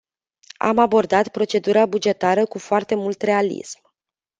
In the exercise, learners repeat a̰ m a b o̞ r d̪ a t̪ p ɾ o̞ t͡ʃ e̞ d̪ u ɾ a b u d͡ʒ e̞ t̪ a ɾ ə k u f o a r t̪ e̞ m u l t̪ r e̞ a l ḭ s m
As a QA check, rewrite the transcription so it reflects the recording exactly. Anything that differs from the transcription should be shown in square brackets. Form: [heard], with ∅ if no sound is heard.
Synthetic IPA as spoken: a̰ m a b o̞ r d̪ a t̪ p ɾ o̞ t͡ʃ e̞ d̪ u ɾ a b u d͡ʒ e̞ t̪ a ɾ ə k u f o a r t̪ e̞ m u l t̪ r e̞ a l ḭ s m